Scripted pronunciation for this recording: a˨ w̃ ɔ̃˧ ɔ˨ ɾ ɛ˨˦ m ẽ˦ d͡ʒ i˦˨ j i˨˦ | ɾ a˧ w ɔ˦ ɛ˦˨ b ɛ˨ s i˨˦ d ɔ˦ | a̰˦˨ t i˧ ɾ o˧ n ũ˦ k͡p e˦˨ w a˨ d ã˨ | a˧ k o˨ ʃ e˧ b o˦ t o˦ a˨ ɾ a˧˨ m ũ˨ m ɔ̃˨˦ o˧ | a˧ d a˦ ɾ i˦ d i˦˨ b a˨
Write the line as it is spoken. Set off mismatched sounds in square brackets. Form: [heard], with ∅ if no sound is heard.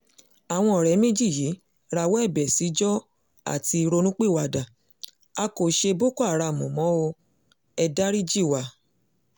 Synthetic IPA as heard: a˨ w̃ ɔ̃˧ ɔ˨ ɾ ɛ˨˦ m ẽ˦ d͡ʒ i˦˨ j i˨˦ | ɾ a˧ w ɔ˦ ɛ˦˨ b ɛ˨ s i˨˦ [d͡ʒ] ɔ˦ | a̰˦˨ t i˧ ɾ o˧ n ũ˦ k͡p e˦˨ w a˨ d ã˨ | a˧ k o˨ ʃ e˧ b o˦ [k] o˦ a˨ ɾ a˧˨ m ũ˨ m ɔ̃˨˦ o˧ | [ɛ˧] d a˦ ɾ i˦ [d͡ʒ] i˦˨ [w] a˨